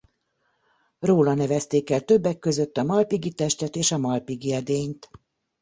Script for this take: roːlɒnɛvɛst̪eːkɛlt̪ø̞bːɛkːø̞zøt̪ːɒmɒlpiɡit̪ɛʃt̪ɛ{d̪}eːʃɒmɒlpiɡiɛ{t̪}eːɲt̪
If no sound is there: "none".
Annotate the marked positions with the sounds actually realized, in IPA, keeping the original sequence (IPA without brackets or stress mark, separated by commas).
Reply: t̪, d̪